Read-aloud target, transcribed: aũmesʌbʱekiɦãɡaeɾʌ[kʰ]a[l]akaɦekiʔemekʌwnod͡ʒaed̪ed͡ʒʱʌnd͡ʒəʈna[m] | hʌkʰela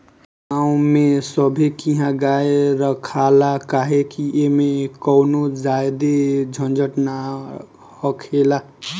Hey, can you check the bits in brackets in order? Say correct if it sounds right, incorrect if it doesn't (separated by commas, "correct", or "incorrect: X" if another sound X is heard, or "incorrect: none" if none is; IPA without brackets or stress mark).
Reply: correct, correct, incorrect: none